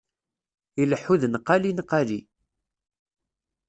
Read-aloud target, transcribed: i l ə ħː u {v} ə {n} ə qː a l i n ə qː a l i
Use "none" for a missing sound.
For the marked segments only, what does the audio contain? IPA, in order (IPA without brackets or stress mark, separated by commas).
ð, n